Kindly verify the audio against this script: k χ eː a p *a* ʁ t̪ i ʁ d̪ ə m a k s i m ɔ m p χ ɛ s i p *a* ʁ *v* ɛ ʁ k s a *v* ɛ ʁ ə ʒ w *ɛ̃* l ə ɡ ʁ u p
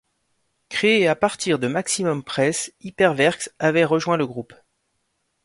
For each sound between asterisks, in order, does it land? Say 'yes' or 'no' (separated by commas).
yes, no, yes, yes, yes